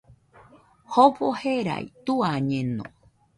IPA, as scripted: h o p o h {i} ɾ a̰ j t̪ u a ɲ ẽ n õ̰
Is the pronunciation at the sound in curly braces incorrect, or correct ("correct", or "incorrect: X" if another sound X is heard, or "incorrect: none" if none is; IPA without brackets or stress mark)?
incorrect: e